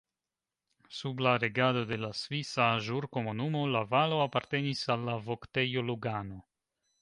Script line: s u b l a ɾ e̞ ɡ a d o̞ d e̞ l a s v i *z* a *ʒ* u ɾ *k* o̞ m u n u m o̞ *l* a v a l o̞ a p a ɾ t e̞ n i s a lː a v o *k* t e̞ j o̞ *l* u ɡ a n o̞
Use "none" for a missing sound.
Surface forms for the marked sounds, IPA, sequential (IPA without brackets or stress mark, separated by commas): s, ʒ, k, l, k, l